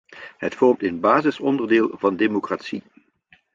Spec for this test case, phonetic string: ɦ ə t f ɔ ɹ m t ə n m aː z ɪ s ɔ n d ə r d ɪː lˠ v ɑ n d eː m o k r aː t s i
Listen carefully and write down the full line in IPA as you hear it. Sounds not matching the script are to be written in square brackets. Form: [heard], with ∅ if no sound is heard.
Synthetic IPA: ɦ ə t f ɔ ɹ m t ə n [b] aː z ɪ s ɔ n d ə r d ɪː lˠ v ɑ n d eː m o k r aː t s i